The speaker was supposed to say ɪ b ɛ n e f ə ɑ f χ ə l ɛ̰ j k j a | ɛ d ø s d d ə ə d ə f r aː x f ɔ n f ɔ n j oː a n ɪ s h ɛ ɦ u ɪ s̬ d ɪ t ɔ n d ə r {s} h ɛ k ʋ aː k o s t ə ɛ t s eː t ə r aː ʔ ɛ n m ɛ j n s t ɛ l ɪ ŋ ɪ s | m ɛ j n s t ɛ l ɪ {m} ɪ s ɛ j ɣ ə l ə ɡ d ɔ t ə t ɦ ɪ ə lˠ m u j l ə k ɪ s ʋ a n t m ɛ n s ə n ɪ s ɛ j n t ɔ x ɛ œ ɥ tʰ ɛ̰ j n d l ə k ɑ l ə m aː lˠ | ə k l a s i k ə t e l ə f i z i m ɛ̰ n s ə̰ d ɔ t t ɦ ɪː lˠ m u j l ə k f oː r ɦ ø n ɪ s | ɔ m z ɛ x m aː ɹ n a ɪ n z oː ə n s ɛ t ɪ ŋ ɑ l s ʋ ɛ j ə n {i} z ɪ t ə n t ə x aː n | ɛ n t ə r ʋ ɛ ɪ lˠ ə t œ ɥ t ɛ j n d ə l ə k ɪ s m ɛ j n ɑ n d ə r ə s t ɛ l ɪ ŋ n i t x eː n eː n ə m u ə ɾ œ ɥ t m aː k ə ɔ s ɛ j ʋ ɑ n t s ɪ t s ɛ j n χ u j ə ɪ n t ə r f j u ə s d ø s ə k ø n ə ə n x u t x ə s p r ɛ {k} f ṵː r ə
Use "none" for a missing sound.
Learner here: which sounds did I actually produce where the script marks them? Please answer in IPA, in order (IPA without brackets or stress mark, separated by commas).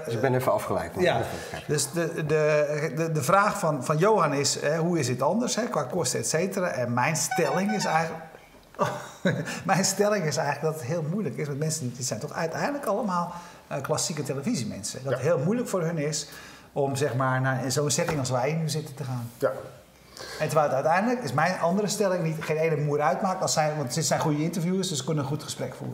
s, ŋ, y, k